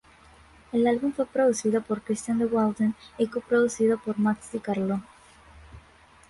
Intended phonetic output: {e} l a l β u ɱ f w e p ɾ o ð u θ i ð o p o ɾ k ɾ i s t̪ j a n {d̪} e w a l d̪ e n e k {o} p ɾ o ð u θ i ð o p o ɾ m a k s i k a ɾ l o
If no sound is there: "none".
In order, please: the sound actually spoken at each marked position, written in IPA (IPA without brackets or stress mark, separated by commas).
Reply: e, d̪, o